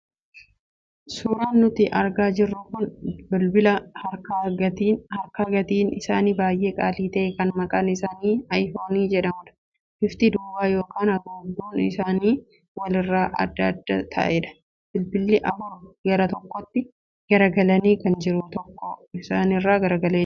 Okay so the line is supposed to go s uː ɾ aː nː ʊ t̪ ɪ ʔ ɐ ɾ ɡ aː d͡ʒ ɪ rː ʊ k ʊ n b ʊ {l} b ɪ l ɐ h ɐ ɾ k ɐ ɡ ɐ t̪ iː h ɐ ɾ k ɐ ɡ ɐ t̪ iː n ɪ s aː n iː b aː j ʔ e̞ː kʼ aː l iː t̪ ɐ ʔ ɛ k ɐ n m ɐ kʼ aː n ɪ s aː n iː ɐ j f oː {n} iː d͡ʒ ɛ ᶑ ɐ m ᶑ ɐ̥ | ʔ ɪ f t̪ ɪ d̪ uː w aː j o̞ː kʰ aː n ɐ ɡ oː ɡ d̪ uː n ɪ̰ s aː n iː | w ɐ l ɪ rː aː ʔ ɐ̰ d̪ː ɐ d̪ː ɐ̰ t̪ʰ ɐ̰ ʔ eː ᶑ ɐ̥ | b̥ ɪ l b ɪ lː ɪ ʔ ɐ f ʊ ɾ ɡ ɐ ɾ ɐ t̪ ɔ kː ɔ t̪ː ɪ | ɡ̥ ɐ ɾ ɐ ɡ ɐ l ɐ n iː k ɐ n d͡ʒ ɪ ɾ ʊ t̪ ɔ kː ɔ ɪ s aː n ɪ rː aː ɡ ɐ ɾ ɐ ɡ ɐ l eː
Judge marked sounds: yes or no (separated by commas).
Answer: yes, yes